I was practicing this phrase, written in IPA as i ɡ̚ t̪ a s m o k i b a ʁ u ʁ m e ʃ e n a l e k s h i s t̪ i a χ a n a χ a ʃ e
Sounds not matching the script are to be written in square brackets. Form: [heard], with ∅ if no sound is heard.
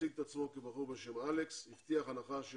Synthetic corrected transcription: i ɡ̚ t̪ a [t͡s] m o k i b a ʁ u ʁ [b] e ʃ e [m] a l e k s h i [f] t̪ i a χ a n a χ a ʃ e